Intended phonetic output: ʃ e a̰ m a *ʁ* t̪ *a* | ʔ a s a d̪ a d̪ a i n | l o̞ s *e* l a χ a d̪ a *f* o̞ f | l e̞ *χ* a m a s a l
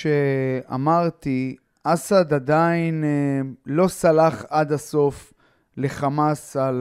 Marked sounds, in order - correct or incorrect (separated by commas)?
correct, incorrect, incorrect, incorrect, correct